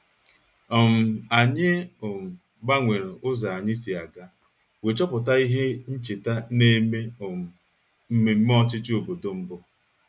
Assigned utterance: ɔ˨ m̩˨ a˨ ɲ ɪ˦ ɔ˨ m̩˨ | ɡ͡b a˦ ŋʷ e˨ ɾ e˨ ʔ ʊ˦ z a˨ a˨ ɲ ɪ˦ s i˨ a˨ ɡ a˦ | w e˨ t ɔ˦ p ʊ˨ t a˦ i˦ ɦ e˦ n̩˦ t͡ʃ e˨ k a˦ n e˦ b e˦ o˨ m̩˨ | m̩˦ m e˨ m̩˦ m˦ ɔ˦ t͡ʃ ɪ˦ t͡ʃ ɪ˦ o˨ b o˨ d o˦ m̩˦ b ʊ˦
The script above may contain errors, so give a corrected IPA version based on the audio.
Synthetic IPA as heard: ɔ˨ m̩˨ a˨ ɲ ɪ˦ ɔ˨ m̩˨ | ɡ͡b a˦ ŋʷ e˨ ɾ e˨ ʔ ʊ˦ z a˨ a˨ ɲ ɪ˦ s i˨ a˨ ɡ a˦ | w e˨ t͡ʃ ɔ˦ p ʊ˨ t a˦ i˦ ɦ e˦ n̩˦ t͡ʃ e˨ t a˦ n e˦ m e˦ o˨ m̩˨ | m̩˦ m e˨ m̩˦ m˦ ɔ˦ t͡ʃ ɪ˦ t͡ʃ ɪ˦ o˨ b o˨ d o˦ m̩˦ b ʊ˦